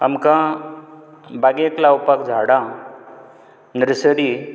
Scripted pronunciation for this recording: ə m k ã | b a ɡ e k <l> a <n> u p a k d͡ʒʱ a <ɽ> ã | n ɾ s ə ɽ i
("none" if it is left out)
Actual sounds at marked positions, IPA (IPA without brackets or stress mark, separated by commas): l, none, ɽ